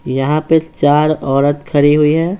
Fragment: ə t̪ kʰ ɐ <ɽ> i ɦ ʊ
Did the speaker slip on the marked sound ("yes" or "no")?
yes